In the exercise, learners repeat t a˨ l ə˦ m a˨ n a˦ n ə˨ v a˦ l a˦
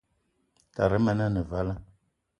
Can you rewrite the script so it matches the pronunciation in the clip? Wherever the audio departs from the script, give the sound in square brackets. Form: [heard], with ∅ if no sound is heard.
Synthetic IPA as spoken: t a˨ [ɾ] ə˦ m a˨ n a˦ n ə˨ v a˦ l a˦